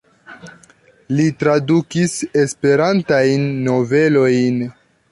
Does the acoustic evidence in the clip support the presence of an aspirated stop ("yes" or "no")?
no